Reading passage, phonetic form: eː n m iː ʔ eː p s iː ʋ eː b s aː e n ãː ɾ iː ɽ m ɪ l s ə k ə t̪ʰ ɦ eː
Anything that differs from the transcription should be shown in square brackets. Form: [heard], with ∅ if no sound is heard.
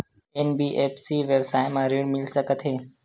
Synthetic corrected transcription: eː n [b] iː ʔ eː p s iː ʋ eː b s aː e [m] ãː ɾ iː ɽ m ɪ l s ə k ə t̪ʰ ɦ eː